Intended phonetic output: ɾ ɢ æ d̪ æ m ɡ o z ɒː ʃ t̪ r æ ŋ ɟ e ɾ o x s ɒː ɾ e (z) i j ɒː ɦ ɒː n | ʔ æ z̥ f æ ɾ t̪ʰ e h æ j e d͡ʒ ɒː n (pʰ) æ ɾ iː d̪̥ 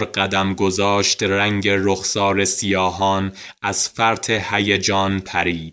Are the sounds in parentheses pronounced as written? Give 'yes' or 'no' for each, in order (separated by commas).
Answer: no, yes